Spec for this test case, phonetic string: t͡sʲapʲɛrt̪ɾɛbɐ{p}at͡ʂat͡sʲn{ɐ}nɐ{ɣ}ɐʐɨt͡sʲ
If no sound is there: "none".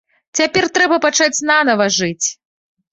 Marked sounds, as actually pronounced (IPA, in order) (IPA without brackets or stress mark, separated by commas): p, a, v